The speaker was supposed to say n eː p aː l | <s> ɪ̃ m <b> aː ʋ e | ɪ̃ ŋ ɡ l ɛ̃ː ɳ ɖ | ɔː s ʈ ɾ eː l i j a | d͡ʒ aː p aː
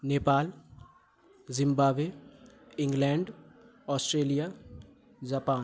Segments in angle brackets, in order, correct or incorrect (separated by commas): incorrect, correct